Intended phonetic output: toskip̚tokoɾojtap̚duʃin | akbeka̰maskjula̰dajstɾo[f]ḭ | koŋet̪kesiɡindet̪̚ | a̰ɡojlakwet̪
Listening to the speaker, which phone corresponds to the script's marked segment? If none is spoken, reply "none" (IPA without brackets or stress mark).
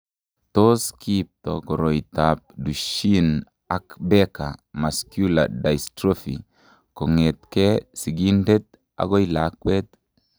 f